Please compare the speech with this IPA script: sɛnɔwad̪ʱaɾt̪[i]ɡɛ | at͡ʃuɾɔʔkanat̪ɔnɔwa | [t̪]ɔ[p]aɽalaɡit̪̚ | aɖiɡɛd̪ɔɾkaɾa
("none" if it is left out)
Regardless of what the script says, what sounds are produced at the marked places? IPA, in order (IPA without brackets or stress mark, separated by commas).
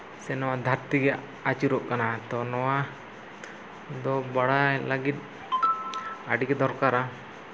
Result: i, d̪, b